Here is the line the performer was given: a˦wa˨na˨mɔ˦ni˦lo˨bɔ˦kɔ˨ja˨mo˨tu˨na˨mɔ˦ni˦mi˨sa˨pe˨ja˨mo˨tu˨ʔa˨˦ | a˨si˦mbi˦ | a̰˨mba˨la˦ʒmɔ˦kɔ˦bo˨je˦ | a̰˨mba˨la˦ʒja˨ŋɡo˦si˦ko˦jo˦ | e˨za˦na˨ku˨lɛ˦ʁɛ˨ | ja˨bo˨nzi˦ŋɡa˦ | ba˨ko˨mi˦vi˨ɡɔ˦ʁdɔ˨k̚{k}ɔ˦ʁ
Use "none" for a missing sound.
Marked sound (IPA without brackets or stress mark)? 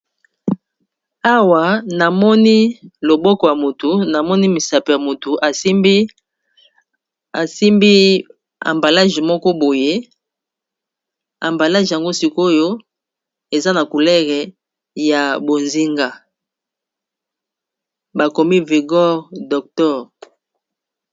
t